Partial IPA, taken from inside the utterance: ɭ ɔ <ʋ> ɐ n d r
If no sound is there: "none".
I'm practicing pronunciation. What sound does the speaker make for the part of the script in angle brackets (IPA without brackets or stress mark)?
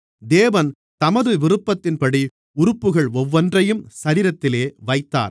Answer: ʋː